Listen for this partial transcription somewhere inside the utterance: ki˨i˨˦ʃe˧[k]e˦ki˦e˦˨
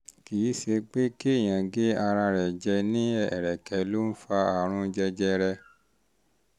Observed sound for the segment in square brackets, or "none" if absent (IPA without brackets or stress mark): k͡p